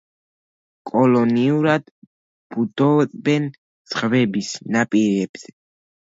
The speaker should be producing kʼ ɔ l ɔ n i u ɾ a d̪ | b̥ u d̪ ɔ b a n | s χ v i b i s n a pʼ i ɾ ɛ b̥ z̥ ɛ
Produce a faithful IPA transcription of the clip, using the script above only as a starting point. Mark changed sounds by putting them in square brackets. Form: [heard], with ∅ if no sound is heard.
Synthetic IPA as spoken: kʼ ɔ l ɔ n i u ɾ a d̪ | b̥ u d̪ ɔ b [ɛ] n | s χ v [ɛ] b i s n a pʼ i ɾ ɛ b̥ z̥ ɛ